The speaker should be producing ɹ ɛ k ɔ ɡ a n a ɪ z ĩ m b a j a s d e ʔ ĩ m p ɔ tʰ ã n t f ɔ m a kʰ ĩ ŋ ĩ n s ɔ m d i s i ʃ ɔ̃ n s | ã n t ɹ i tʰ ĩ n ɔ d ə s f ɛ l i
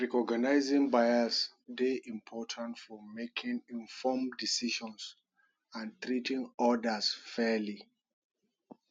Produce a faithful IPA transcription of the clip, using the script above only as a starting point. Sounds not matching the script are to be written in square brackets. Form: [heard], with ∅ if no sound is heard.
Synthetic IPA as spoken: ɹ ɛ k ɔ ɡ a n a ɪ z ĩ [ŋ] b a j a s d e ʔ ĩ m [pʰ] ɔ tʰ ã n t f ɔ m [e] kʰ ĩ ŋ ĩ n [f] ɔ m d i s i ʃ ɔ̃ n s | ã n t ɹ i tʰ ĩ [ŋ] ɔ d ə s f ɛ l i